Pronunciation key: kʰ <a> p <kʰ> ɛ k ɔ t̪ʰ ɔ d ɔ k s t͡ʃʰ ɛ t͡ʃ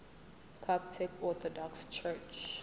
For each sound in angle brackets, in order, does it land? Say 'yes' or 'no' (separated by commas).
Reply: yes, no